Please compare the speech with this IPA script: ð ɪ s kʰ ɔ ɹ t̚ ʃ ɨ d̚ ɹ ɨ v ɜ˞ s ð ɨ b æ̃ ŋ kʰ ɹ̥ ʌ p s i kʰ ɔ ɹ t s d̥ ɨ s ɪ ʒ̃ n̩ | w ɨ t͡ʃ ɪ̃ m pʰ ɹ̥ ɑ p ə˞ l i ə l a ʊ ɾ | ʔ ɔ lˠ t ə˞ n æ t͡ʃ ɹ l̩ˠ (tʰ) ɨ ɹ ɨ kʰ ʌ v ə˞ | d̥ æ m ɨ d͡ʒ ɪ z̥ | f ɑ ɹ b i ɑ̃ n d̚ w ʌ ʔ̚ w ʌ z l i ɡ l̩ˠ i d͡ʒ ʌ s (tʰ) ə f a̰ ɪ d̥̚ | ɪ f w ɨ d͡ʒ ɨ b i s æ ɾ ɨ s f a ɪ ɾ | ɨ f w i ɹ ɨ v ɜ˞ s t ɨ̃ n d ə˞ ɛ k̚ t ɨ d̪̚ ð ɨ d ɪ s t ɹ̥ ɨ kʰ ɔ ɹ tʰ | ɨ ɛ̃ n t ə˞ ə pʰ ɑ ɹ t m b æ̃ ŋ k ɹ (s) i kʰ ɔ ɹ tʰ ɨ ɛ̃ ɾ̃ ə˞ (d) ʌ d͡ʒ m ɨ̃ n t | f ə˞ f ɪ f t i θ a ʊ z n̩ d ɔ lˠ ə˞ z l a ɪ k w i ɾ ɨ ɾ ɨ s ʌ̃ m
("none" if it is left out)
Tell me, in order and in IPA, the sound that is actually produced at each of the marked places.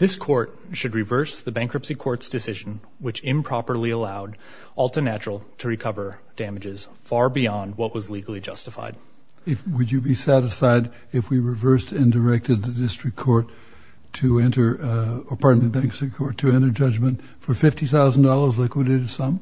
tʰ, t, s, d͡ʒ

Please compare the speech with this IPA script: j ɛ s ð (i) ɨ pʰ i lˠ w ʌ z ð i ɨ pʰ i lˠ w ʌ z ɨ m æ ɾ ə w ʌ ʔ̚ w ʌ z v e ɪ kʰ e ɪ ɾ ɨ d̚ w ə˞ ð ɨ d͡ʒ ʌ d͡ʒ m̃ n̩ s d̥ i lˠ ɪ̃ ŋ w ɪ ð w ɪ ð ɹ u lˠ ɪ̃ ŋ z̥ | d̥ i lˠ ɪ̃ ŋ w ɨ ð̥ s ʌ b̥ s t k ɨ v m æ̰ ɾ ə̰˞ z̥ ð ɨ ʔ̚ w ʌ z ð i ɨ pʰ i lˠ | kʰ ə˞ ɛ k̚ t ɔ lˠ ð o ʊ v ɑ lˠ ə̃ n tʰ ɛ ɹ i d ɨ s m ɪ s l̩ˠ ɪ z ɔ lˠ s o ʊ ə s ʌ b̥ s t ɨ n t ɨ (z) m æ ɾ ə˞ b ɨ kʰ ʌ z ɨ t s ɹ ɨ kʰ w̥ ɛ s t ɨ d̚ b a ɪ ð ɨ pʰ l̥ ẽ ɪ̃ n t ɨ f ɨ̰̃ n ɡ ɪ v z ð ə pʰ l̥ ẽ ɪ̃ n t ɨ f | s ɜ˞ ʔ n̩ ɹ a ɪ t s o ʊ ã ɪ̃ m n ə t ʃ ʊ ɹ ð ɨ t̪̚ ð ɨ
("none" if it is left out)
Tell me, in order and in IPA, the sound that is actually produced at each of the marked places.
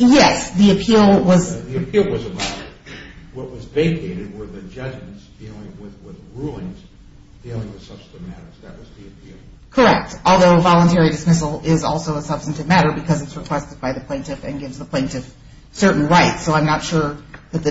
i, v

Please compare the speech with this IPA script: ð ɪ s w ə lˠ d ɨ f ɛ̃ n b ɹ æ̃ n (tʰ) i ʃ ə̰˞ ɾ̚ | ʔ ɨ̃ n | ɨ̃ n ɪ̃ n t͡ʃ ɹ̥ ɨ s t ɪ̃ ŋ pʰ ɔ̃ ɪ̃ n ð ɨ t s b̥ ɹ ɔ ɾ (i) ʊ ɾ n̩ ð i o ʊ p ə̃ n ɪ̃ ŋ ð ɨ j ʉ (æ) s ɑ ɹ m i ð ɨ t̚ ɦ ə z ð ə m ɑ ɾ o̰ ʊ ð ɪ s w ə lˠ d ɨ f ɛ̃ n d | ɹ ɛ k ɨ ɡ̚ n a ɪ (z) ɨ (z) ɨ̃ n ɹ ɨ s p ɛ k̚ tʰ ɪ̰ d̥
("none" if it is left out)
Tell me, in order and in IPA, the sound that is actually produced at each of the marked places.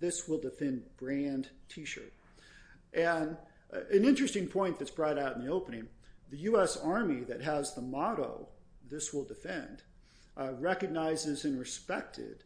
tʰ, a, ɛ, z, z

